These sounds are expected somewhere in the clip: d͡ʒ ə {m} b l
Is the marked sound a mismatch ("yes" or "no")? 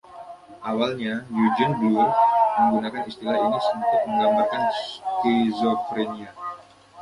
yes